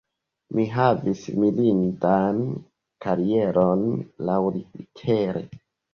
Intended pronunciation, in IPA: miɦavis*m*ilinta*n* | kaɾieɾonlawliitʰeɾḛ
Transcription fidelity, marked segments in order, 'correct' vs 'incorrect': correct, correct

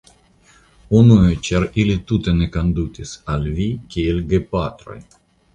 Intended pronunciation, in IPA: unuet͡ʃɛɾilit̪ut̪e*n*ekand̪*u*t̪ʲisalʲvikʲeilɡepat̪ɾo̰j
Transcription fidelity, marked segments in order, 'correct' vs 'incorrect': correct, correct

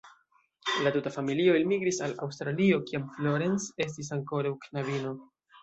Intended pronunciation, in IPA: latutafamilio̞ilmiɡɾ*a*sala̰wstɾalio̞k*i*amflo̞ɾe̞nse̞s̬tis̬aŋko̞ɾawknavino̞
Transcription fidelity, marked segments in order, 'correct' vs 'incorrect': incorrect: i, correct

